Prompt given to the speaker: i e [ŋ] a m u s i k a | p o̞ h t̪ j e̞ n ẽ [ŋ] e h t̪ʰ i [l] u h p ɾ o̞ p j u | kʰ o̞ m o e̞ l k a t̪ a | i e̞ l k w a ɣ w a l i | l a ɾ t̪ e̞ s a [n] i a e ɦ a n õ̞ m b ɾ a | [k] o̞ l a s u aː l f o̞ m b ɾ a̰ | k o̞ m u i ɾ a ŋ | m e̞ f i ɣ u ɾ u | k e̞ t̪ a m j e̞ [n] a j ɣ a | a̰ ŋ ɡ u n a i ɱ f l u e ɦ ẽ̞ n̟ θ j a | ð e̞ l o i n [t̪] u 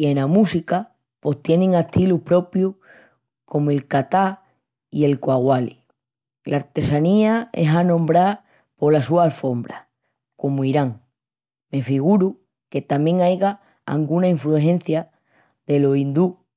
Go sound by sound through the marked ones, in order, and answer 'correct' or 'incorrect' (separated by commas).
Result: incorrect, correct, correct, correct, incorrect, incorrect, incorrect